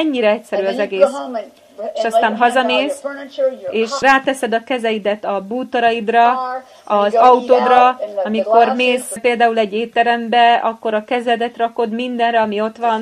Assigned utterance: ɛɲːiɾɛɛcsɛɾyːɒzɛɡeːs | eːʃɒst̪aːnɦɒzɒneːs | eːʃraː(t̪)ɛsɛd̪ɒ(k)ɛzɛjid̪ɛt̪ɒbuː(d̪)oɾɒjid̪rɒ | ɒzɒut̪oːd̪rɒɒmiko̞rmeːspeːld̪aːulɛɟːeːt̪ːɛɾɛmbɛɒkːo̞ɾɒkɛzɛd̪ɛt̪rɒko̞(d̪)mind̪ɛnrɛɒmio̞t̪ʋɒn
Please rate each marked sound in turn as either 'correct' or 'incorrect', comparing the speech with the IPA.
correct, correct, incorrect: t̪, correct

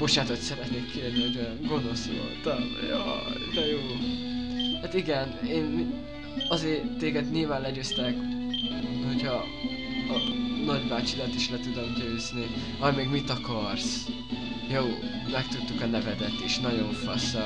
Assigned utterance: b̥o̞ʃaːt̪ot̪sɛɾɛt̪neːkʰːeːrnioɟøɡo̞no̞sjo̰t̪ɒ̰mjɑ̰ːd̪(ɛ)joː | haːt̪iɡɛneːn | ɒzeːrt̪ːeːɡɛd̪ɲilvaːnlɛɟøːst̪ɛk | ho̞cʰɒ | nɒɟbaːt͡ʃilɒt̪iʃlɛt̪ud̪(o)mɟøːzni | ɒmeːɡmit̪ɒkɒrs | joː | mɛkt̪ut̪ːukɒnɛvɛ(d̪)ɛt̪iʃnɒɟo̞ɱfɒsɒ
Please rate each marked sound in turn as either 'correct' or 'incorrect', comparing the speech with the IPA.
correct, correct, correct

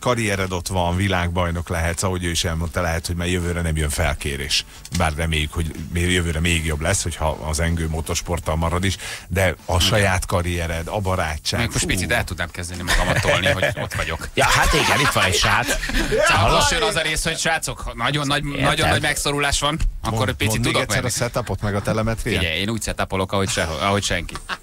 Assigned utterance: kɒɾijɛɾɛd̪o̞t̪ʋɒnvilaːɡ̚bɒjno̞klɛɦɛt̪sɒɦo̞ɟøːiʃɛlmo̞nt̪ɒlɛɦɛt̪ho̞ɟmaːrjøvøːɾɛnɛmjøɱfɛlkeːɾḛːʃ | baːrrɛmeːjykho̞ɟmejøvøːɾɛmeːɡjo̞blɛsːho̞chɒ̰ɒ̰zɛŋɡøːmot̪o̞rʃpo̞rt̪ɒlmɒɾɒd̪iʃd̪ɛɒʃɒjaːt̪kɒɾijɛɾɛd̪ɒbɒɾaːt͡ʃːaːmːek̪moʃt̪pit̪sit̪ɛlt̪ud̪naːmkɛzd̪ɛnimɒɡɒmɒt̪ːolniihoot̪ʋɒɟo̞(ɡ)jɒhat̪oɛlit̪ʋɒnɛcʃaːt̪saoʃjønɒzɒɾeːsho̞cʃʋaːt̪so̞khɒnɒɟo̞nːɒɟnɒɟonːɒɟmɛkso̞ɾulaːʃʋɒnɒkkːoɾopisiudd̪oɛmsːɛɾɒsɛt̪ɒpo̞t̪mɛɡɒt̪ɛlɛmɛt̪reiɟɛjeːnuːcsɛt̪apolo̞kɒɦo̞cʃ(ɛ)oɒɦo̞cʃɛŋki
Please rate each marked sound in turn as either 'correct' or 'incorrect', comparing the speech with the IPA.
incorrect: k, correct

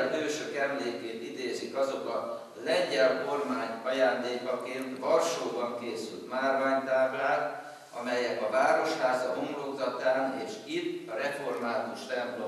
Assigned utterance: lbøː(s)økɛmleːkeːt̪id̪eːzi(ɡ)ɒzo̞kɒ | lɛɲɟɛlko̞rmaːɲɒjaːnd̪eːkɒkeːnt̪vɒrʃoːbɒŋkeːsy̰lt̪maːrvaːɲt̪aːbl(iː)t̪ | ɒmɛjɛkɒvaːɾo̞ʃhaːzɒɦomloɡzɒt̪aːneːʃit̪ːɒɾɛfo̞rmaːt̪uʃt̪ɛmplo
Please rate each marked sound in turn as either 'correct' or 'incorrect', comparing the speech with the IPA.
incorrect: ʃ, incorrect: k, incorrect: aː

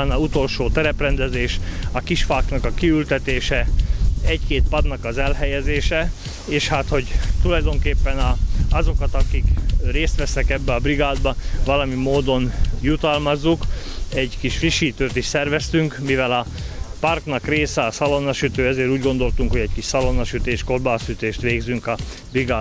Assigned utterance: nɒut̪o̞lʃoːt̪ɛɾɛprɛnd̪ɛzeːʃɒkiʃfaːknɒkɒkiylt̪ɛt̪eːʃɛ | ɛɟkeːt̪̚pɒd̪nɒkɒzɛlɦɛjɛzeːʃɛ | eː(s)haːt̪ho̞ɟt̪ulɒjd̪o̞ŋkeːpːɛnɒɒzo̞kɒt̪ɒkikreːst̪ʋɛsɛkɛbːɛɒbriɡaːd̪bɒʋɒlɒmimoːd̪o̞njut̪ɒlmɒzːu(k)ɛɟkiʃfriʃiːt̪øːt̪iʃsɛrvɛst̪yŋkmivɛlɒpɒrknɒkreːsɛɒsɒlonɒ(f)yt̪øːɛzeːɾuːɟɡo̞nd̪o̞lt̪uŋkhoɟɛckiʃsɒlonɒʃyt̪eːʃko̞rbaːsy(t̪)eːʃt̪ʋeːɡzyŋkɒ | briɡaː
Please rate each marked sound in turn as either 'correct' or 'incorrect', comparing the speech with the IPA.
incorrect: ʃ, correct, incorrect: ʃ, correct

